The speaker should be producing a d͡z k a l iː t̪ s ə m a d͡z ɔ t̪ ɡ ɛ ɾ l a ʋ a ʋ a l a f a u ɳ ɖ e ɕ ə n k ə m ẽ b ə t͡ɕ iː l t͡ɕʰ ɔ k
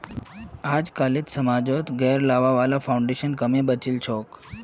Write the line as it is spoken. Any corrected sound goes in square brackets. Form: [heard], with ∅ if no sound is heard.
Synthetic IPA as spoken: a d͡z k a l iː t̪ s ə m a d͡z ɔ t̪ ɡ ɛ ɾ l a ʋ a ʋ a l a f a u ɳ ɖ e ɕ ə n k ə m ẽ b ə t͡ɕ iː l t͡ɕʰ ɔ k